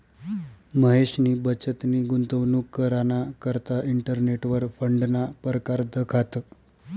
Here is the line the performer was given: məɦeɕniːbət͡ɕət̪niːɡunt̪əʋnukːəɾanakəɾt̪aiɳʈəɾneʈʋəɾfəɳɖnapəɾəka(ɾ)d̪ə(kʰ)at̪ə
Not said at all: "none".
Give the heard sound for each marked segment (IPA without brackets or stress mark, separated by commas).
ɾ, kʰ